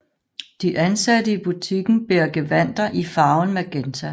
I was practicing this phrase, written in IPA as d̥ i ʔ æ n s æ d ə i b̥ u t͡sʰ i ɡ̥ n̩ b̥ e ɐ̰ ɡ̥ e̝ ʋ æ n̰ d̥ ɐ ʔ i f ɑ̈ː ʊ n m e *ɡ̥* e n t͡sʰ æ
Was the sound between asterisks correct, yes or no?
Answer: yes